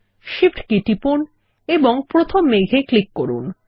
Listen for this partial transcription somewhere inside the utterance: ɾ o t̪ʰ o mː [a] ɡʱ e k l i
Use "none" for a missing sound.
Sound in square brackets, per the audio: e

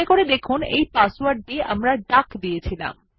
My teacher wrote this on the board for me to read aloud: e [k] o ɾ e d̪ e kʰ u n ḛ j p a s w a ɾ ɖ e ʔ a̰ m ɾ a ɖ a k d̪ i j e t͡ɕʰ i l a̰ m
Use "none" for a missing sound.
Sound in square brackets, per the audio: k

